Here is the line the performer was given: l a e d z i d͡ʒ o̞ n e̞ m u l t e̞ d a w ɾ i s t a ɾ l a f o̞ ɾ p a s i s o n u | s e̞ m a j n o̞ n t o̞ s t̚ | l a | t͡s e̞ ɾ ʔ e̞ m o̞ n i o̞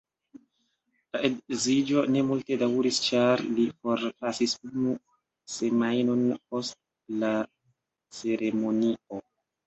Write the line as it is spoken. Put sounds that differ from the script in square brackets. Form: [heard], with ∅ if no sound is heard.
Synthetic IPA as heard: l a e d z i d͡ʒ o̞ n e̞ m u l t e̞ d a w ɾ i s [t͡ʃ] a ɾ l [i] f o̞ ɾ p a s i s [u] n u | s e̞ m a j n o̞ n [p] o̞ s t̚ | l a | t͡s e̞ ɾ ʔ e̞ m o̞ n i o̞